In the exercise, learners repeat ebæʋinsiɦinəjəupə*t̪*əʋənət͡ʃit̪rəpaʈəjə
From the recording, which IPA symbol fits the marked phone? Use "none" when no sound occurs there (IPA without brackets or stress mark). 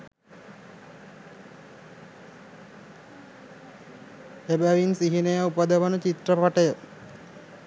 d̪